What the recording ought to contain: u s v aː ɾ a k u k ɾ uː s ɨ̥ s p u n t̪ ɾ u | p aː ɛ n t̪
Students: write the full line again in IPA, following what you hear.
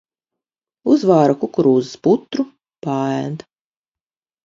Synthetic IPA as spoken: u z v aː ɾ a k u k ɾ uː z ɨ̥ s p u t̪ ɾ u | p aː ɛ n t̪